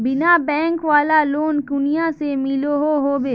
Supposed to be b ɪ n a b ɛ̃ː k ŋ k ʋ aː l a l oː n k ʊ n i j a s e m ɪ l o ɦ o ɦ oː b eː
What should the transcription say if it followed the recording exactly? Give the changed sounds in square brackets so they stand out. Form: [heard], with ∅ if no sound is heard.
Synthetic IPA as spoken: b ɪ n a b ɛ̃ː [∅] ŋ k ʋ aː l a l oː n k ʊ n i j a s e m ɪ l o ɦ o ɦ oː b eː